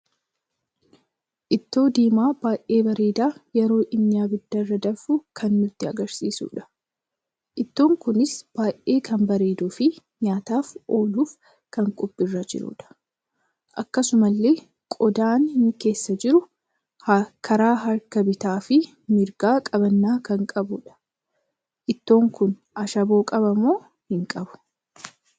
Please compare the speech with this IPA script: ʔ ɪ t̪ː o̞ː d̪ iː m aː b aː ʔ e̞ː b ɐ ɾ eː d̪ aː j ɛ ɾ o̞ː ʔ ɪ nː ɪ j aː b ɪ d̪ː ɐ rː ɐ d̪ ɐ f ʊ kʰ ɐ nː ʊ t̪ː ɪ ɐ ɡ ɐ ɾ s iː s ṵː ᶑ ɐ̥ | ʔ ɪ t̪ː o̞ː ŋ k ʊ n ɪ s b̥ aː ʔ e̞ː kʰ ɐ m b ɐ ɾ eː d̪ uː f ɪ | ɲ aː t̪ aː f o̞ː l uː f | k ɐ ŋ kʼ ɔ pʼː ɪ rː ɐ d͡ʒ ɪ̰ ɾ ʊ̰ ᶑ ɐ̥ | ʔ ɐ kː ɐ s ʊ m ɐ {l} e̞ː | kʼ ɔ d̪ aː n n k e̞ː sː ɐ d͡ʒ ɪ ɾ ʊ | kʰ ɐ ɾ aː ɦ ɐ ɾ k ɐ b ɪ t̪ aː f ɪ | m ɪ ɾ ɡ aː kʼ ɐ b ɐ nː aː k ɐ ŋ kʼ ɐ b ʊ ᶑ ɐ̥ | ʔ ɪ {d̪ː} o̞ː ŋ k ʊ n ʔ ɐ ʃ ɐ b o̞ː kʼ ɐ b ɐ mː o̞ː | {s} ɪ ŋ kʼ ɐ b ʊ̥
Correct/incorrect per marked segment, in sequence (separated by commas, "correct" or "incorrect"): incorrect, incorrect, incorrect